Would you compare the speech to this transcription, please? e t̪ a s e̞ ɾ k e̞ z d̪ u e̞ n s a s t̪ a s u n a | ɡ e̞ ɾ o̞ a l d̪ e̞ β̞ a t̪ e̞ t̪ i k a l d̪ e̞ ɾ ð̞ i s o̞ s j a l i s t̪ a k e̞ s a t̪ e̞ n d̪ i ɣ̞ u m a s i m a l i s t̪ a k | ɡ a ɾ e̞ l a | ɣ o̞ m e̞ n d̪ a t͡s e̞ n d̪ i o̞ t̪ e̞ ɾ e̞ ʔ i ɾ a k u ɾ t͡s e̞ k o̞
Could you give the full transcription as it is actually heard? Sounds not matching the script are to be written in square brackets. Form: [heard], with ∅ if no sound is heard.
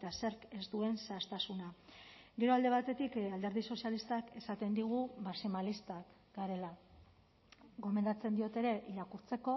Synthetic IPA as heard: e t̪ a s e̞ ɾ k e̞ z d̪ u e̞ n s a s t̪ a s u n a | ɡ e̞ ɾ o̞ a l d̪ e̞ β̞ a t̪ e̞ t̪ i k a l d̪ e̞ ɾ ð̞ i s o̞ s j a l i s t̪ a k e̞ s a t̪ e̞ n d̪ i ɣ̞ u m a s i m a l i s t̪ a k | ɡ a ɾ e̞ l a | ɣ o̞ m e̞ n d̪ a t͡s e̞ n d̪ i o̞ t̪ e̞ ɾ e̞ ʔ i ɾ a k u ɾ t͡s e̞ k o̞